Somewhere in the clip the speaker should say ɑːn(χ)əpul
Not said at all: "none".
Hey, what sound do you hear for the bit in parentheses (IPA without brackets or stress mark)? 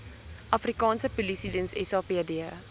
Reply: s